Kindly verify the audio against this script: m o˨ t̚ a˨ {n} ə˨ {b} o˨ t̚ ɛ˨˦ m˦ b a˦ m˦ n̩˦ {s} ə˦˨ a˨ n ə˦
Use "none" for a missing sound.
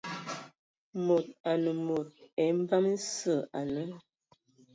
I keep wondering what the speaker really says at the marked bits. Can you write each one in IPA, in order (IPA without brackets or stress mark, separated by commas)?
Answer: n, m, s